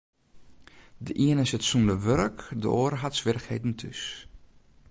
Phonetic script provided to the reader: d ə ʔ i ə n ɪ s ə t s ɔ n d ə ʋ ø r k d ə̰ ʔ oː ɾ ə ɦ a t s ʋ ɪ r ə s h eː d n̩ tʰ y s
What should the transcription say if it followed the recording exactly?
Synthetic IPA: d ə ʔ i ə n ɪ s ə t s u n d ə ʋ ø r k d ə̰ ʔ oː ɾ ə ɦ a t s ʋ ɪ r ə x h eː d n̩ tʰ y s